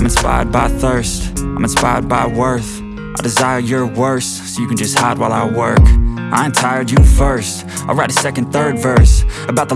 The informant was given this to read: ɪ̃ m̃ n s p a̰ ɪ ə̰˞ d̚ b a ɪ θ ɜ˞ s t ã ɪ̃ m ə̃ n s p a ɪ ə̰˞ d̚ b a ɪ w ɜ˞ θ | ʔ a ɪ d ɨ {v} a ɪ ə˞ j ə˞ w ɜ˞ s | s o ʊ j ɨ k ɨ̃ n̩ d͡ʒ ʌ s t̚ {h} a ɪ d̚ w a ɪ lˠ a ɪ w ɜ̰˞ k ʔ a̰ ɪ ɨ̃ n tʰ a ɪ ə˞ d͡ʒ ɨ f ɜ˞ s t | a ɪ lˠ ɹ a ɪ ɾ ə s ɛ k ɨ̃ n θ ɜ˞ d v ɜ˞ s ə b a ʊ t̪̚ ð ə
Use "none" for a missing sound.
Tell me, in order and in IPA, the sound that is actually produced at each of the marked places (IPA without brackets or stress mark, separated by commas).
z, h